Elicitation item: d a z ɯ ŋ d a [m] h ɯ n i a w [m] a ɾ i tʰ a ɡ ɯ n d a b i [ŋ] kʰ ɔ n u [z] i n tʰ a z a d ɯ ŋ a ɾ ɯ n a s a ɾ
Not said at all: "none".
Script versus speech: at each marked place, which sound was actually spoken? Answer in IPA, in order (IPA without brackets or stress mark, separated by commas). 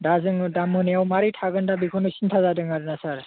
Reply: m, m, none, s